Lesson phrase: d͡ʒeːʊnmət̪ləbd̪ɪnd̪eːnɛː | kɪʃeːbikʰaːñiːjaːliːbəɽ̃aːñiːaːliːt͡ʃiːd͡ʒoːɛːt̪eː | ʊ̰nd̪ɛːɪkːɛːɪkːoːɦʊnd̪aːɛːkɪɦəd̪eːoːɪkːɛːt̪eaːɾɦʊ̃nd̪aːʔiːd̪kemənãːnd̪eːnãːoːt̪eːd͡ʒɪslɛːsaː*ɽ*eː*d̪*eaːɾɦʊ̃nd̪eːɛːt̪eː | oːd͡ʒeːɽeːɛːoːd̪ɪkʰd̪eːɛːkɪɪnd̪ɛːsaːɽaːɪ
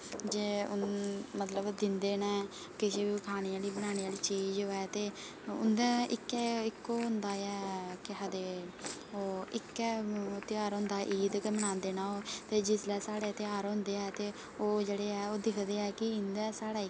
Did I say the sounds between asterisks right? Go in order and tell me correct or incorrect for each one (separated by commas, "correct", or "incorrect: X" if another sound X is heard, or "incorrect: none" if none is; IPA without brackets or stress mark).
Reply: correct, incorrect: t̪